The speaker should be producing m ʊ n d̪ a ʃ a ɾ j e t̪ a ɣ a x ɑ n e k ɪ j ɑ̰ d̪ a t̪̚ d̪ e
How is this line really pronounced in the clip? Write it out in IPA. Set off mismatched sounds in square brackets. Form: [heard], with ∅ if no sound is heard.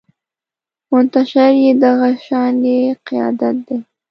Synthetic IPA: m ʊ n [t̪] a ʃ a ɾ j e [d̪] a ɣ a [ʃ] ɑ n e [q] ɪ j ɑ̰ d̪ a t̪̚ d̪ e